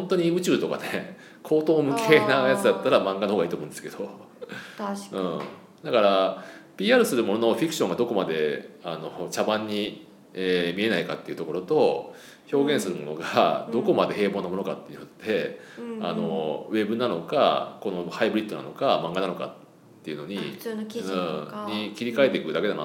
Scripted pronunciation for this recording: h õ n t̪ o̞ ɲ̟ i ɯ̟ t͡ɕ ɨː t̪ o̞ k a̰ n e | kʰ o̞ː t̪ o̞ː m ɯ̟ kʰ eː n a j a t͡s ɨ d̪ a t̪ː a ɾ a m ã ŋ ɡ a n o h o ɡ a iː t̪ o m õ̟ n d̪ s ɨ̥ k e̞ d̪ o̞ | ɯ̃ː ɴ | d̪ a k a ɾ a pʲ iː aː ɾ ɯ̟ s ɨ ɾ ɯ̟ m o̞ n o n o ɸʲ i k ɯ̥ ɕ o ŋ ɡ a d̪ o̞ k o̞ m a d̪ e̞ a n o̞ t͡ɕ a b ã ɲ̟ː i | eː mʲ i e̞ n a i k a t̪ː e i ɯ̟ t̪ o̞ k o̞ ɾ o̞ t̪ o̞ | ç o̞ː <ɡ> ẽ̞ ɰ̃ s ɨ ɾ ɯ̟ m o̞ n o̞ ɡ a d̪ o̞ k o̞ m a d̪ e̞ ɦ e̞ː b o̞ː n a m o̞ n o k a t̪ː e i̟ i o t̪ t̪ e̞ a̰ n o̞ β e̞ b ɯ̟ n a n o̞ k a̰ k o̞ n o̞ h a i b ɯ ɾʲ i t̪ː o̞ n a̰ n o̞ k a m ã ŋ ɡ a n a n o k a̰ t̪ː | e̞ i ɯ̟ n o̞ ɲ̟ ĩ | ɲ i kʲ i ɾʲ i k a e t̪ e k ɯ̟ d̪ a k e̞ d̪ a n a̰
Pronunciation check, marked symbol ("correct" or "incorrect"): correct